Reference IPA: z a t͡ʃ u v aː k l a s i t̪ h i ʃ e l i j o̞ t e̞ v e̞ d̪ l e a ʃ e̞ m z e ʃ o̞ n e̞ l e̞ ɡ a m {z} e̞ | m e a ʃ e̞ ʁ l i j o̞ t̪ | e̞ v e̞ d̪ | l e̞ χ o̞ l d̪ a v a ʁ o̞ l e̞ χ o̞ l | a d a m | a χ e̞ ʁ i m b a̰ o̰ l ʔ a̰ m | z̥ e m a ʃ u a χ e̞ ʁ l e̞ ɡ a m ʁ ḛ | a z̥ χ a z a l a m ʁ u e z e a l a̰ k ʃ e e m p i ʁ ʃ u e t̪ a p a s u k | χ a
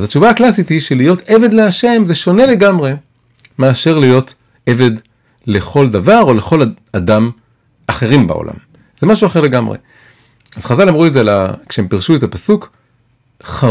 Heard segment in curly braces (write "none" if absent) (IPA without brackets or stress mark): ʁ